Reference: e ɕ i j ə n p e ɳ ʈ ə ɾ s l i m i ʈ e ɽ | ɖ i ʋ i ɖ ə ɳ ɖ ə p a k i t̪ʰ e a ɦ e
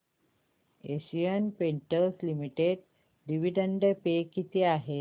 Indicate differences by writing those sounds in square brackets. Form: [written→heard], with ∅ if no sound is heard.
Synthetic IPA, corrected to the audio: e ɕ i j ə n p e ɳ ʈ ə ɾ s l i m i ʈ e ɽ | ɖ i ʋ i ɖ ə ɳ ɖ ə p [a→e] k i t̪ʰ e a ɦ e